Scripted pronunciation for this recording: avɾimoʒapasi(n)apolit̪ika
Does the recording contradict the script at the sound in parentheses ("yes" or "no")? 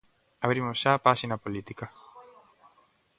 no